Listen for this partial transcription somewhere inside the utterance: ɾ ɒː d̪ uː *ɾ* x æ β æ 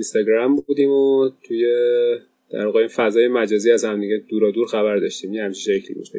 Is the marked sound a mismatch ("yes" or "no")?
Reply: no